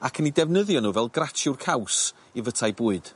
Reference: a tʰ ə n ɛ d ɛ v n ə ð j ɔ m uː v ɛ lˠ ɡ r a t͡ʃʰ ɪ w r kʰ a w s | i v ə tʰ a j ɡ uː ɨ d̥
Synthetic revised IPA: a kʰ ə n i d ɛ v n ə ð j ɔ n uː v ɛ lˠ ɡ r a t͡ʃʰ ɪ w r kʰ a w s | i v ə tʰ a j b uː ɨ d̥